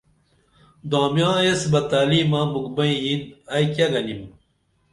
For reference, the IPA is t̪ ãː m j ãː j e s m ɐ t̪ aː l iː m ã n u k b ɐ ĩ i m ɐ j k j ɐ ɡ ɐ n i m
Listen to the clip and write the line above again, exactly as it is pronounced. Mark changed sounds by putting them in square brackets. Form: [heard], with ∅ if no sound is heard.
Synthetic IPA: [d̪] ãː m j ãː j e s [b] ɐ t̪ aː l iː m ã [m] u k b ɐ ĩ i [n] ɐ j k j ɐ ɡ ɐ n i m